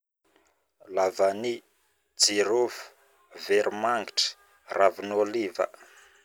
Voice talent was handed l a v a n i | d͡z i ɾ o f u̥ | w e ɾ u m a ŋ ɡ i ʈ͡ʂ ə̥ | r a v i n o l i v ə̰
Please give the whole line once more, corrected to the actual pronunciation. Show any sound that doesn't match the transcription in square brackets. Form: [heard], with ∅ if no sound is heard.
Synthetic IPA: l a v a n i | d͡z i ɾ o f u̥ | [v] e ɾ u m a ŋ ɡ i ʈ͡ʂ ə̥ | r a v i n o l i v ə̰